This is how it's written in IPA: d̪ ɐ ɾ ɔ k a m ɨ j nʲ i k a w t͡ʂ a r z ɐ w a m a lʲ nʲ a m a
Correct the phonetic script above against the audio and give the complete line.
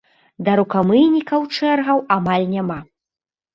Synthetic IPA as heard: d̪ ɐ ɾ u k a m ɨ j nʲ i k ɐ w t͡ʂ ɛ r ɣ ɐ w a m a lʲ nʲ a m a